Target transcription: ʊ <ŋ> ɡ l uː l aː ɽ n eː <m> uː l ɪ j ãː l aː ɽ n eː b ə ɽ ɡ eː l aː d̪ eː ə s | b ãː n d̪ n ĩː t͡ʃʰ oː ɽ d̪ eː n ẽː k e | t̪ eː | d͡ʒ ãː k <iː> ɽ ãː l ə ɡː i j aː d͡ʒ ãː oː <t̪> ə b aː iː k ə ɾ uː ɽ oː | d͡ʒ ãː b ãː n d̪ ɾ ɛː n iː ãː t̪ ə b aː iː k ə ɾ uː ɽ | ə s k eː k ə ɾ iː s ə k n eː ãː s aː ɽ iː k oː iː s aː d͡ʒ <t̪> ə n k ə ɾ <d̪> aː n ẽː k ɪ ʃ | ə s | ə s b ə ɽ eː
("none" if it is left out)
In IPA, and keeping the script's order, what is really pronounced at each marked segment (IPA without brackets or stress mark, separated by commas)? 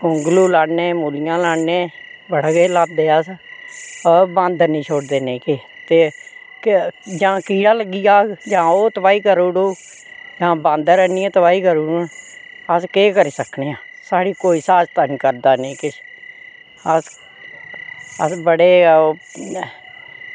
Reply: ŋ, m, iː, t̪, t̪, d̪